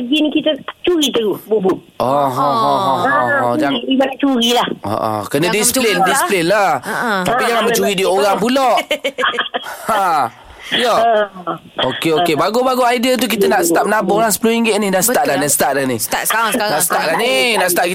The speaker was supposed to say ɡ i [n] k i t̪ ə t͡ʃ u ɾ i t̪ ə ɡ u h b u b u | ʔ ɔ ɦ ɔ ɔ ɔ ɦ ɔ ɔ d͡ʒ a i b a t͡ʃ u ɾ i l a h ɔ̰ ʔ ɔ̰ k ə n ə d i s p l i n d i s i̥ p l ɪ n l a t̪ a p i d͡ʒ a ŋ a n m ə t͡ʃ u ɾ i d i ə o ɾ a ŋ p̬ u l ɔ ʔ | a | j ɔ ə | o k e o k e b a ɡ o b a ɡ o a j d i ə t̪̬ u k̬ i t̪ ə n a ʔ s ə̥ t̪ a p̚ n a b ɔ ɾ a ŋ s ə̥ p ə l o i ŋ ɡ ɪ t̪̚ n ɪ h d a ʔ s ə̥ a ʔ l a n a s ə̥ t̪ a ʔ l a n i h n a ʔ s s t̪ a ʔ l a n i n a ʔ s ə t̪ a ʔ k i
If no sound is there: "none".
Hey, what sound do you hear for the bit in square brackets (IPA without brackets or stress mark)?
n